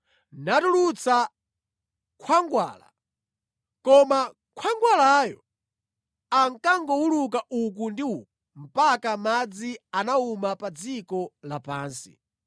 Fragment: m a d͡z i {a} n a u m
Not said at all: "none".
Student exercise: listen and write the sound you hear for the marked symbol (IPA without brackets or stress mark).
a